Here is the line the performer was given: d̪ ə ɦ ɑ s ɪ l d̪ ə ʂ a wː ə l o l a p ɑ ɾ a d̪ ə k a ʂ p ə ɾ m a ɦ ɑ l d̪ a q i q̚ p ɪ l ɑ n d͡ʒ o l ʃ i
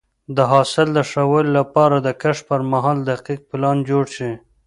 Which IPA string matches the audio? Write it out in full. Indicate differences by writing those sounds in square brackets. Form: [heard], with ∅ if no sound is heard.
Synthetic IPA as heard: d̪ ə ɦ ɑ s ɪ l d̪ ə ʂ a [w] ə l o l a p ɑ ɾ a d̪ ə k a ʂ p ə ɾ m a ɦ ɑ l d̪ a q i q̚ p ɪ l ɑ n d͡ʒ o [ɽ] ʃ i